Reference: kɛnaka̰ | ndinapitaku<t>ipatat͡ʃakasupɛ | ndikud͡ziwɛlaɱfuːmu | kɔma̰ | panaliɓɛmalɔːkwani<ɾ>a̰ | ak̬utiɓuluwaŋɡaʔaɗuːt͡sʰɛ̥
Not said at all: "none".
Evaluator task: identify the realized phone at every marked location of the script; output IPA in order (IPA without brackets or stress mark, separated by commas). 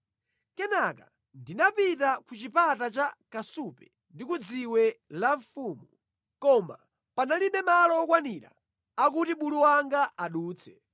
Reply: t͡ʃ, ɾ